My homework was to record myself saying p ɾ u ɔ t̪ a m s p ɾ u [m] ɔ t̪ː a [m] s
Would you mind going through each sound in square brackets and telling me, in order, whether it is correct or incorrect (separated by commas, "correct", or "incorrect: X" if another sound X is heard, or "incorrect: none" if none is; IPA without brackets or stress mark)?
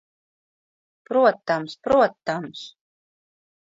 incorrect: none, correct